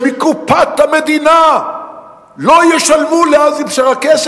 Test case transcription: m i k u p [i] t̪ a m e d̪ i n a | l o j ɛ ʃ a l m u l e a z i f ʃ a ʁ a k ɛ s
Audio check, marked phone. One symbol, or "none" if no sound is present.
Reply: a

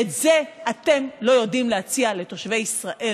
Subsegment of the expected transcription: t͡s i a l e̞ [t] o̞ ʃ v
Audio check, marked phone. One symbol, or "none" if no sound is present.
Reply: t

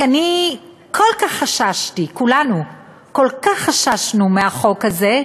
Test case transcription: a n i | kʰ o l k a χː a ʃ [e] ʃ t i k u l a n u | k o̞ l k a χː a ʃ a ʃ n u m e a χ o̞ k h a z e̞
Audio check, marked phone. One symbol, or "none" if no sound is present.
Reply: a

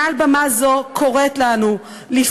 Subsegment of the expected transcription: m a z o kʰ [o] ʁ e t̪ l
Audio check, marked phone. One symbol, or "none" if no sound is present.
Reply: o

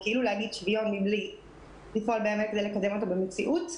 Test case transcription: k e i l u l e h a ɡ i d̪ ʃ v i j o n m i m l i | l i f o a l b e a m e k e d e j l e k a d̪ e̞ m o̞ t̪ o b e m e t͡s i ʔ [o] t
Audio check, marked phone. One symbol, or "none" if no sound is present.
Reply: u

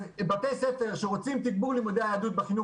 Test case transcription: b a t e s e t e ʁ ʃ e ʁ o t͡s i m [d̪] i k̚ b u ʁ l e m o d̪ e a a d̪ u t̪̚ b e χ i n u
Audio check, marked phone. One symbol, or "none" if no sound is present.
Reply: t̪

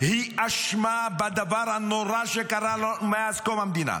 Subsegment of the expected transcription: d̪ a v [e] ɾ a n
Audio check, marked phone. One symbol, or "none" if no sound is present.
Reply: a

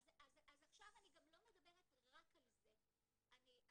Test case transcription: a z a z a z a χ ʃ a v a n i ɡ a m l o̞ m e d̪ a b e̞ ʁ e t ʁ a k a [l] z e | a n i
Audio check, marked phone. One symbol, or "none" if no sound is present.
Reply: l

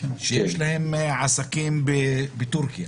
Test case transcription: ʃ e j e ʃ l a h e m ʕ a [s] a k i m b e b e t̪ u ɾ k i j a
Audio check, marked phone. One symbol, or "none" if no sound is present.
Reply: s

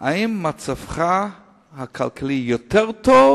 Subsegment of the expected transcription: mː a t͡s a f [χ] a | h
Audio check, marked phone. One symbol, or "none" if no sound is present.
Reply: χ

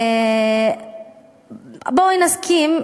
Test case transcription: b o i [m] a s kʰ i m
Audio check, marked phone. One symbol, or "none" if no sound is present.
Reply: n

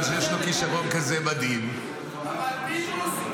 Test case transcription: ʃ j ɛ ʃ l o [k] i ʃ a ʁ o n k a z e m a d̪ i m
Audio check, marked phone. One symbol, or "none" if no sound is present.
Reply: k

